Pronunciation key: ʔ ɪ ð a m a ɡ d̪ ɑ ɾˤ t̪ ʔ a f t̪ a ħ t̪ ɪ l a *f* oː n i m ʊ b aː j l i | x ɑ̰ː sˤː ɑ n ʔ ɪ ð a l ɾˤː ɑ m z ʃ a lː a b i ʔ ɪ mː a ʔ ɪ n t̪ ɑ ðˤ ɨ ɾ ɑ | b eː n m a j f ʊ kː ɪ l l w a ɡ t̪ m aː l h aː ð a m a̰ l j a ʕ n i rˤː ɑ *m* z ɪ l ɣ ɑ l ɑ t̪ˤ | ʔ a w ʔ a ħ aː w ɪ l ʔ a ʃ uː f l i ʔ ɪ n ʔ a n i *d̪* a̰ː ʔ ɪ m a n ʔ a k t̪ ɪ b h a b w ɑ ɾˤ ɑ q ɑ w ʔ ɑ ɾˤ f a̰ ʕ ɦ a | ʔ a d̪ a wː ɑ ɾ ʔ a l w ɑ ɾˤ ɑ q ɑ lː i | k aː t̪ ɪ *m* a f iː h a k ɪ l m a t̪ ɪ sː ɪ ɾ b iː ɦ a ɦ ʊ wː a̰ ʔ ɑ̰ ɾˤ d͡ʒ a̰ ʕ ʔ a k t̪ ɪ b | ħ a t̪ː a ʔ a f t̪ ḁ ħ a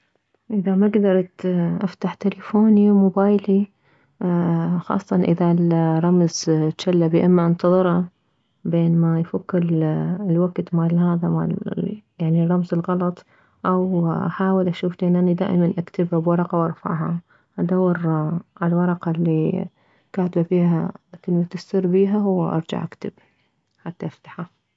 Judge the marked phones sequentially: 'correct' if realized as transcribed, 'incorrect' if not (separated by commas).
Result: correct, correct, correct, incorrect